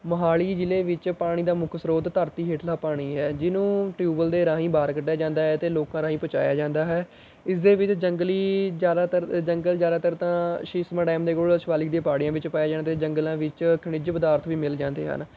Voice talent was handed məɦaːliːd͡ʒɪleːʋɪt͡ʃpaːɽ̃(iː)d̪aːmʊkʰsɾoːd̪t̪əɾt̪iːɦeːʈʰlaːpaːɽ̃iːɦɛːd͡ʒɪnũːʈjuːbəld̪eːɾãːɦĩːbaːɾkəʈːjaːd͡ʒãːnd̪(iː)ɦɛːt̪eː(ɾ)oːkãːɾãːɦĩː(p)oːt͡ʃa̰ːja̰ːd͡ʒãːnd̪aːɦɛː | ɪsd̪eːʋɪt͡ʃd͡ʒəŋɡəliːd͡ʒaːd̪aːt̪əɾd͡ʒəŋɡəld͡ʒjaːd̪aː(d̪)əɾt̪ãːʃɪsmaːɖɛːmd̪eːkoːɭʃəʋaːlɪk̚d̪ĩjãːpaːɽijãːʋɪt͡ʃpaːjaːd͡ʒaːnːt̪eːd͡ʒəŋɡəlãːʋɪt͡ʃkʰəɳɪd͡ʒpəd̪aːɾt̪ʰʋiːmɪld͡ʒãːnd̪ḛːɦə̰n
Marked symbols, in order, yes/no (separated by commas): yes, no, no, yes, no